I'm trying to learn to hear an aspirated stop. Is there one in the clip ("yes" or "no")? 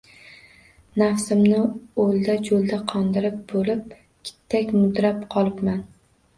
yes